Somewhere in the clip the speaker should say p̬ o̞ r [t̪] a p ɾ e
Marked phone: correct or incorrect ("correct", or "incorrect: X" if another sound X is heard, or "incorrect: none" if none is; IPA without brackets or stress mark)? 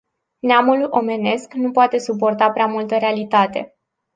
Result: correct